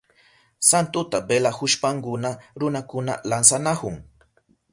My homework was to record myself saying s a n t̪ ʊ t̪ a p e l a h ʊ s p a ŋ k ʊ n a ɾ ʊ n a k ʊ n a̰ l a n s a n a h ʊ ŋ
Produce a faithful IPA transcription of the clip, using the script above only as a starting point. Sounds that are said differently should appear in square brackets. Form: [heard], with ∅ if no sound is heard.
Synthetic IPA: s a n t̪ ʊ t̪ a [b] e l a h ʊ [ʃ] p a ŋ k ʊ n a ɾ ʊ n a k ʊ n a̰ l a n s a n a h ʊ ŋ

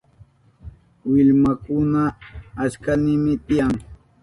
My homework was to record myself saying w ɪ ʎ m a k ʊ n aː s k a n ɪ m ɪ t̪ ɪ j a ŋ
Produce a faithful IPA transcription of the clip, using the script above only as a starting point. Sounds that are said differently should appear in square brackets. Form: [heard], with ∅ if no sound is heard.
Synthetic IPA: w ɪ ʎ m a k ʊ n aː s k a n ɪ m ɪ t̪ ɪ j a ŋ

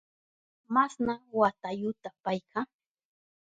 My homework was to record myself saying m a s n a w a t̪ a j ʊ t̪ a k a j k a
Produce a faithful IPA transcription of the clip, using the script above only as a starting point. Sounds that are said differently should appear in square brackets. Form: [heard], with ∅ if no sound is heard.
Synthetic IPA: m a s n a w a t̪ a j ʊ t̪ a [p] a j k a

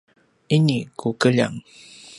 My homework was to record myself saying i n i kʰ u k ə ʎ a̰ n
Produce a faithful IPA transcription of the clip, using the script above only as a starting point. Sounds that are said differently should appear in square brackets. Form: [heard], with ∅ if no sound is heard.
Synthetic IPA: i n i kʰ u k ə ʎ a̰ [ŋ]

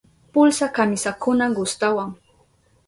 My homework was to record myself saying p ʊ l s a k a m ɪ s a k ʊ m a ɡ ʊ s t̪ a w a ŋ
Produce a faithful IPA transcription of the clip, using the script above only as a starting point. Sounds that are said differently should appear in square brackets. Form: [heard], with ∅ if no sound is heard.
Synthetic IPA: p ʊ l s a k a m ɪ s a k ʊ [n] a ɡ ʊ s t̪ a w a ŋ

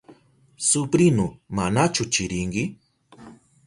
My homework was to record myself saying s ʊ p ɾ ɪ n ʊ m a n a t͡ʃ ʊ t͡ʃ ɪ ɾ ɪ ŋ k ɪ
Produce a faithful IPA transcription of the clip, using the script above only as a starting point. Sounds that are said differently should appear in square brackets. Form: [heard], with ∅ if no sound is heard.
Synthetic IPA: s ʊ p ɾ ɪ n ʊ m a n a t͡ʃ ʊ t͡ʃ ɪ ɾ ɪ ŋ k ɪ

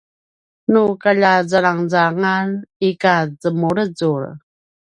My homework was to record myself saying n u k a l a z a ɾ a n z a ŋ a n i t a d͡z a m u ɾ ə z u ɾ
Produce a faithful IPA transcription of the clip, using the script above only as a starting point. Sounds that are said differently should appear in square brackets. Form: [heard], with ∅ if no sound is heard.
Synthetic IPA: n u k a [ʎ] a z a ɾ a [ŋ] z a ŋ a n i [k] a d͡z [ə] m u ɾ ə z u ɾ

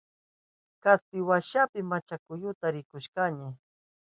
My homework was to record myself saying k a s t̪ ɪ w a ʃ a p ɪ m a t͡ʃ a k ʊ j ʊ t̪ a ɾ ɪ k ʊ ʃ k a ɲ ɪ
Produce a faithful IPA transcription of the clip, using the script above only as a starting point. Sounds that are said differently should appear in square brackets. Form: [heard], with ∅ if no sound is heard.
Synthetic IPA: k a s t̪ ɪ w a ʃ a p ɪ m a t͡ʃ a k ʊ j ʊ t̪ a ɾ ɪ k ʊ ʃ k a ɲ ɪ

